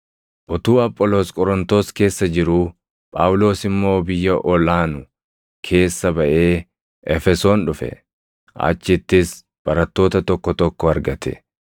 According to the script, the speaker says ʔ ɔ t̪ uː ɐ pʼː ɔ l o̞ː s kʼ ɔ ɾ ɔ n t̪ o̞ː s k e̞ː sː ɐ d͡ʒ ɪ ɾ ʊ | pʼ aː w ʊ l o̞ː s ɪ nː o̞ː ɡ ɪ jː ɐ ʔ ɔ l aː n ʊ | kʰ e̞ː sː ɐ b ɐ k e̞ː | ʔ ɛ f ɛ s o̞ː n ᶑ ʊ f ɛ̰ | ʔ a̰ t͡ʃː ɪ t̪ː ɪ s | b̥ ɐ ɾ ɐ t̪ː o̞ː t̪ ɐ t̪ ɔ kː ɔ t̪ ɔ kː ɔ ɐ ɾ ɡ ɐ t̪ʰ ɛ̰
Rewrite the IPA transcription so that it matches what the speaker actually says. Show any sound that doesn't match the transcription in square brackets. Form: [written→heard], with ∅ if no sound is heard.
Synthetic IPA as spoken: ʔ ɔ t̪ uː ɐ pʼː ɔ l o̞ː s kʼ ɔ ɾ ɔ n t̪ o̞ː s k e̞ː sː ɐ d͡ʒ ɪ ɾ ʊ | pʼ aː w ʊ l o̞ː s ɪ [nː→mː] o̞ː [ɡ→b] ɪ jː ɐ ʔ ɔ l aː n ʊ | kʰ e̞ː sː ɐ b ɐ [k→ʔ] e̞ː | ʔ ɛ f ɛ s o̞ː n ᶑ ʊ f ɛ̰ | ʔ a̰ t͡ʃː ɪ t̪ː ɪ s | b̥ ɐ ɾ ɐ t̪ː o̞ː t̪ ɐ t̪ ɔ kː ɔ t̪ ɔ kː ɔ ɐ ɾ ɡ ɐ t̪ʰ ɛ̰

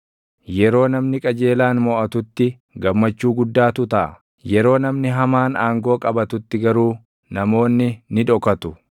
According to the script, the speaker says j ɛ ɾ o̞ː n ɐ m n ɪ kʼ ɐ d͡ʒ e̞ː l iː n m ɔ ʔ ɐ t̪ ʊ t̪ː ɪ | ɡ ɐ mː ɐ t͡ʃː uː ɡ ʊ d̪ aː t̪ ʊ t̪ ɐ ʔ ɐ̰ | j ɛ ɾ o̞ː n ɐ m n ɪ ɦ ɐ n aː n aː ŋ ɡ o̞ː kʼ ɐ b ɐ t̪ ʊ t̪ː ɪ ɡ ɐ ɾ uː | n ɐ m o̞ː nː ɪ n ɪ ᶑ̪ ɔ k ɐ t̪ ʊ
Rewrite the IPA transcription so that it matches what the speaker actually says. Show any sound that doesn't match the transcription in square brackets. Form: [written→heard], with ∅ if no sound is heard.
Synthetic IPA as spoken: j ɛ ɾ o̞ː n ɐ m n ɪ kʼ ɐ d͡ʒ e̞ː l [iː→aː] n m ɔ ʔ ɐ t̪ ʊ t̪ː ɪ | ɡ ɐ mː ɐ t͡ʃː uː ɡ ʊ [d̪→d̪ː] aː t̪ ʊ t̪ ɐ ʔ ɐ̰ | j ɛ ɾ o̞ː n ɐ m n ɪ ɦ ɐ [n→m] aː n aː ŋ ɡ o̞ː kʼ ɐ b ɐ t̪ ʊ t̪ː ɪ ɡ ɐ ɾ uː | n ɐ m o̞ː nː ɪ n ɪ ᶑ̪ ɔ k ɐ t̪ ʊ

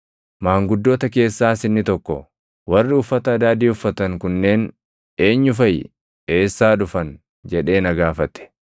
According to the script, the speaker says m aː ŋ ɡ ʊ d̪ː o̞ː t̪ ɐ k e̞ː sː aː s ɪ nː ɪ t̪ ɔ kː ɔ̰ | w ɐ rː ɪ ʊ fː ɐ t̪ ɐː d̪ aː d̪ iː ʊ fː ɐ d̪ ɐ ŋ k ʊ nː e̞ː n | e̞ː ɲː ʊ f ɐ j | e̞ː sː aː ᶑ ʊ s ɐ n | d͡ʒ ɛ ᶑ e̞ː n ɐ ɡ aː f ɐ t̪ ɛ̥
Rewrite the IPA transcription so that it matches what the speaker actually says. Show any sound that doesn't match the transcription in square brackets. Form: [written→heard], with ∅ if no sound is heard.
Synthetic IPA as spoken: m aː ŋ ɡ ʊ d̪ː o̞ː t̪ ɐ k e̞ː sː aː s ɪ nː ɪ t̪ ɔ kː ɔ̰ | w ɐ rː ɪ ʊ fː ɐ t̪ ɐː d̪ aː d̪ iː ʊ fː ɐ [d̪→t̪] ɐ ŋ k ʊ nː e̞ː n | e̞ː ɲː ʊ f ɐ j | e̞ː sː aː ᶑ ʊ [s→f] ɐ n | d͡ʒ ɛ ᶑ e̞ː n ɐ ɡ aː f ɐ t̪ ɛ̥

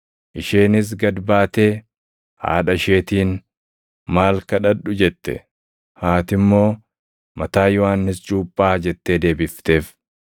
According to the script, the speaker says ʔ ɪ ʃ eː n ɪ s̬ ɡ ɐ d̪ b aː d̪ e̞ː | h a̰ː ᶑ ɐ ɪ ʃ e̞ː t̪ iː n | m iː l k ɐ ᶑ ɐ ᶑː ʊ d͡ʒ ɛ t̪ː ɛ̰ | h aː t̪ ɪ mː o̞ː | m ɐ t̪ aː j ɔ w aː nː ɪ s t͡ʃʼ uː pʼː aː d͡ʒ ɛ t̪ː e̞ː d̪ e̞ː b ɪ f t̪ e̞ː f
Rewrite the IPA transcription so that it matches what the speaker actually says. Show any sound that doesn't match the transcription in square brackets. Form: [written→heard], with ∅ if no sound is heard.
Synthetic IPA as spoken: ʔ ɪ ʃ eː n ɪ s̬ ɡ ɐ d̪ b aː [d̪→t̪] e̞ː | h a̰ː ᶑ ɐ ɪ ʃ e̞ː t̪ iː n | m [iː→aː] l k ɐ ᶑ ɐ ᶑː ʊ d͡ʒ ɛ t̪ː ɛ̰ | h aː t̪ ɪ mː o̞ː | m ɐ t̪ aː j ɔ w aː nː ɪ s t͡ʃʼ uː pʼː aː d͡ʒ ɛ t̪ː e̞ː d̪ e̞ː b ɪ f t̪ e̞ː f

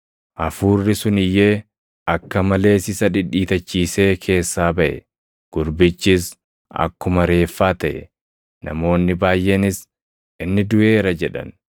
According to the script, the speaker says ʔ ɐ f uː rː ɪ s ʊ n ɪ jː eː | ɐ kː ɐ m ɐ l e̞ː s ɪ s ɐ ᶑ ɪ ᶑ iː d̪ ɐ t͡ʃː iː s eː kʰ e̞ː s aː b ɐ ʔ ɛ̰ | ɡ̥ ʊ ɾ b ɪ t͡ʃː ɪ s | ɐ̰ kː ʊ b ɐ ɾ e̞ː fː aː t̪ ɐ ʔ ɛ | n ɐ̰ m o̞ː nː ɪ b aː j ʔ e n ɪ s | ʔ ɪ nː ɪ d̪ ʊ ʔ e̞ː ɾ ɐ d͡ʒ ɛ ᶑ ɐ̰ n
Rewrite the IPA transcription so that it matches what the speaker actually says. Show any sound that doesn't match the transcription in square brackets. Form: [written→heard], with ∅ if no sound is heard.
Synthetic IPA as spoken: ʔ ɐ f uː rː ɪ s ʊ n ɪ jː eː | ɐ kː ɐ m ɐ l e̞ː s ɪ s ɐ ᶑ ɪ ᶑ iː [d̪→t̪] ɐ t͡ʃː iː s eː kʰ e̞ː [s→sː] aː b ɐ ʔ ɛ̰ | ɡ̥ ʊ ɾ b ɪ t͡ʃː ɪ s | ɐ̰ kː ʊ [b→m] ɐ ɾ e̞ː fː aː t̪ ɐ ʔ ɛ | n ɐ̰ m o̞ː nː ɪ b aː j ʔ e n ɪ s | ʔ ɪ nː ɪ d̪ ʊ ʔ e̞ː ɾ ɐ d͡ʒ ɛ ᶑ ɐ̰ n

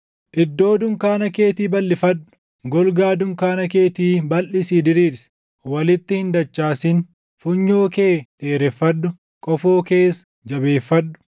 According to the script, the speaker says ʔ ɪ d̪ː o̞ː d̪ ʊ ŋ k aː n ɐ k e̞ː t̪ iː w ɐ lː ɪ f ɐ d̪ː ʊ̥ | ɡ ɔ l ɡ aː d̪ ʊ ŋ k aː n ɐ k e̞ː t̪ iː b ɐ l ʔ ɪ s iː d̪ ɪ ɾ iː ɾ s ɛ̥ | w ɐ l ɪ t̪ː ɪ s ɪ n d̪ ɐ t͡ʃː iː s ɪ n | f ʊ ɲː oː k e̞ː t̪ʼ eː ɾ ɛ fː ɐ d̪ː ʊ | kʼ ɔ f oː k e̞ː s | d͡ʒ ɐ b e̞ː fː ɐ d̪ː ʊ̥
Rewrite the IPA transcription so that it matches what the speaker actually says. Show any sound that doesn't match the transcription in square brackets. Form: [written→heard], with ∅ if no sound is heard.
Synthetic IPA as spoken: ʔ ɪ d̪ː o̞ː d̪ ʊ ŋ k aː n ɐ k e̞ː t̪ iː [w→b] ɐ lː ɪ f ɐ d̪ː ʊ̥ | ɡ ɔ l ɡ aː d̪ ʊ ŋ k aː n ɐ k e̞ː t̪ iː b ɐ l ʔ ɪ s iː d̪ ɪ ɾ iː ɾ s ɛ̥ | w ɐ l ɪ t̪ː ɪ [s→h] ɪ n d̪ ɐ t͡ʃː [iː→aː] s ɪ n | f ʊ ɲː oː k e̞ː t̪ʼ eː ɾ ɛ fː ɐ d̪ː ʊ | kʼ ɔ f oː k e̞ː s | d͡ʒ ɐ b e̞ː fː ɐ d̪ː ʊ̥

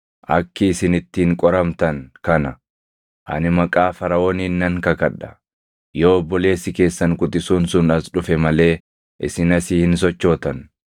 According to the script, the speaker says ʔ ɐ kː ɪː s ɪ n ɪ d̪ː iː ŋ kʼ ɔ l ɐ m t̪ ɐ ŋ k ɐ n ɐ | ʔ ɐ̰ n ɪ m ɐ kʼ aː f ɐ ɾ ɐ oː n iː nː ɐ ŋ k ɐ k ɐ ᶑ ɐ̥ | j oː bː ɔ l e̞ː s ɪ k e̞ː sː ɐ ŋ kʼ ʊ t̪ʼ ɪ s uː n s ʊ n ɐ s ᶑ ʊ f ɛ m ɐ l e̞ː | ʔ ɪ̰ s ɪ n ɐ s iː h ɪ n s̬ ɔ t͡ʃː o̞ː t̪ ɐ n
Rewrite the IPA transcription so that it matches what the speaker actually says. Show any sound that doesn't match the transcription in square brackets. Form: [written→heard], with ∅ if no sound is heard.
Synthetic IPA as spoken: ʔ ɐ kː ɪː s ɪ n ɪ [d̪ː→t̪ː] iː ŋ kʼ ɔ [l→ɾ] ɐ m t̪ ɐ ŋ k ɐ n ɐ | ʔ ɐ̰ n ɪ m ɐ kʼ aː f ɐ ɾ ɐ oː n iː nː ɐ ŋ k ɐ k ɐ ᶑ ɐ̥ | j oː bː ɔ l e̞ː s ɪ k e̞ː sː ɐ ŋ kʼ ʊ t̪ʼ ɪ s uː n s ʊ n ɐ s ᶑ ʊ f ɛ m ɐ l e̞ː | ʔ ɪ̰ s ɪ n ɐ s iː h ɪ n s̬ ɔ t͡ʃː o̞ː t̪ ɐ n

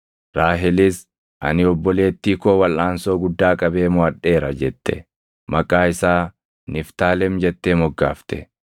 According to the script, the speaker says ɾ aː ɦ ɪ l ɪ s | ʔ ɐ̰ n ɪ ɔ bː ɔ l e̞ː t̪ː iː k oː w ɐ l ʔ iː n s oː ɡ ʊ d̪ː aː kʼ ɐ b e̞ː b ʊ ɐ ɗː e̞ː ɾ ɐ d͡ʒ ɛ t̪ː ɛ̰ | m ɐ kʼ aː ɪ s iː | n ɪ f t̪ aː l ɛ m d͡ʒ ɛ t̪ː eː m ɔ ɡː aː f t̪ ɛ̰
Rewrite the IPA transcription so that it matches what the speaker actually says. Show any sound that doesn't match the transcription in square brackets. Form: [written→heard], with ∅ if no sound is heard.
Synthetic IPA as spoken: ɾ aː ɦ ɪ l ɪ s | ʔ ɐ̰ n ɪ ɔ bː ɔ l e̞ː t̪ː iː k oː w ɐ l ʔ [iː→aː] n s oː ɡ ʊ d̪ː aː kʼ ɐ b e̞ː [b→m] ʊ ɐ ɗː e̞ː ɾ ɐ d͡ʒ ɛ t̪ː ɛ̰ | m ɐ kʼ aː ɪ s [iː→aː] | n ɪ f t̪ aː l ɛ m d͡ʒ ɛ t̪ː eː m ɔ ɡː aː f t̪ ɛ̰

